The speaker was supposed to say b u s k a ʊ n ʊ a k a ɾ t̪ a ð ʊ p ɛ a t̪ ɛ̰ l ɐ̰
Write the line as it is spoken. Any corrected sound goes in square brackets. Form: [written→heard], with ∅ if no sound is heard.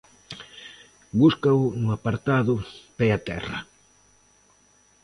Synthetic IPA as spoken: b u s k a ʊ n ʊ a [k→p] a ɾ t̪ a ð ʊ p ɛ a t̪ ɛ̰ [l→r] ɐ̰